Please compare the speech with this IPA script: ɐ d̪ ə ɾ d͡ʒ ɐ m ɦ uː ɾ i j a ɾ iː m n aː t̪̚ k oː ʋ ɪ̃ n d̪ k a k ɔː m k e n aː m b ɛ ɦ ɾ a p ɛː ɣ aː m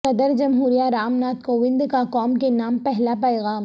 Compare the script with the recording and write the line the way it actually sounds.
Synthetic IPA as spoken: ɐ d̪ ə ɾ d͡ʒ ɐ m ɦ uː ɾ i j a ɾ aː m n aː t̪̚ k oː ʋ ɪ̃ n d̪ k a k ɔː m k e n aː m p ɛ ɦ l a p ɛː ɣ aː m